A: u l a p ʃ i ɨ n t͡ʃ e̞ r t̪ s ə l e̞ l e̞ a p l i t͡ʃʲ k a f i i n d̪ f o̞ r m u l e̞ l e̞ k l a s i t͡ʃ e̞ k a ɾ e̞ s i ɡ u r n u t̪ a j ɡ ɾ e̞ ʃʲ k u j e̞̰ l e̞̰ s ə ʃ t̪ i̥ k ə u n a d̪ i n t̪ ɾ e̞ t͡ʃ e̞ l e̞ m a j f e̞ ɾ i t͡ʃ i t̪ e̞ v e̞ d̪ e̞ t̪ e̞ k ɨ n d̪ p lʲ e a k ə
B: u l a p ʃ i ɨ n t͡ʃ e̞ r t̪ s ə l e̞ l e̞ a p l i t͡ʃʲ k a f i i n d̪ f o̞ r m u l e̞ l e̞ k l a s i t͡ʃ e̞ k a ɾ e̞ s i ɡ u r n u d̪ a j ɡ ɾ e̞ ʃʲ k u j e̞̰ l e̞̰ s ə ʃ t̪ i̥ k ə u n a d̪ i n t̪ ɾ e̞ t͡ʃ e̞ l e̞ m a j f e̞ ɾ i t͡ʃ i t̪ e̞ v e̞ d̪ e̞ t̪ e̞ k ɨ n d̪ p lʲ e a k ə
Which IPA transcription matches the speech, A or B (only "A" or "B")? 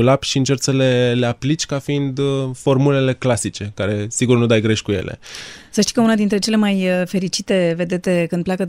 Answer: B